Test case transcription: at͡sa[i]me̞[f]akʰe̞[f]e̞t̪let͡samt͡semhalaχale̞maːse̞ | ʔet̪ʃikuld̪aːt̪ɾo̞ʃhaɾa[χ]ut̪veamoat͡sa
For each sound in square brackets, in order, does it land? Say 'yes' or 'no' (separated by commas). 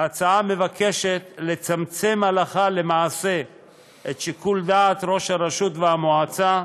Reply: no, no, no, no